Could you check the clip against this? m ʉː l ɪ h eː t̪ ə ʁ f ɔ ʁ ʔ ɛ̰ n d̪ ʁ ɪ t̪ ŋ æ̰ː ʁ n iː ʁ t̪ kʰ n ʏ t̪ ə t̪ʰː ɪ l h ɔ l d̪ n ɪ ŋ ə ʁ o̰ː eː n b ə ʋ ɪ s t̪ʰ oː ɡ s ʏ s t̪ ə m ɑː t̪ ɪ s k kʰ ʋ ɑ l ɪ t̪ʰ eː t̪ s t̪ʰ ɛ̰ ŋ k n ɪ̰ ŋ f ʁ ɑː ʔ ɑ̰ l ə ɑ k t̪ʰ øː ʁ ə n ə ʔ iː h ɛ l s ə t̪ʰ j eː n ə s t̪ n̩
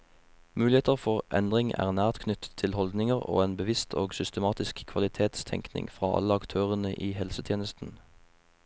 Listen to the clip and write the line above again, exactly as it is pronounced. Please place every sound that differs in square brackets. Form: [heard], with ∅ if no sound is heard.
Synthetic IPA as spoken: m ʉː l ɪ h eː t̪ ə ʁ f ɔ ʁ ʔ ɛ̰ n d̪ ʁ ɪ [∅] ŋ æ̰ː ʁ n [æː] ʁ t̪ kʰ n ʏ t̪ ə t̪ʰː ɪ l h ɔ l d̪ n ɪ ŋ ə ʁ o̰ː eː n b ə ʋ ɪ s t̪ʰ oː ɡ s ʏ s t̪ ə m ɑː t̪ ɪ s k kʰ ʋ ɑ l ɪ t̪ʰ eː t̪ s t̪ʰ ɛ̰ ŋ k n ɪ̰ ŋ f ʁ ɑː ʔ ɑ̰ l ə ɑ k t̪ʰ øː ʁ ə n ə ʔ iː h ɛ l s ə t̪ʰ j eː n ə s t̪ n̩